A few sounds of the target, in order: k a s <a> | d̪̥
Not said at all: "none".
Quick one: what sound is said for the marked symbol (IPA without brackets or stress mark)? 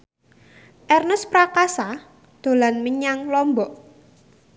a